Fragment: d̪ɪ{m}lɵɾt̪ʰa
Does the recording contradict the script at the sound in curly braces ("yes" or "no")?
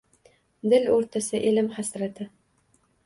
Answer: yes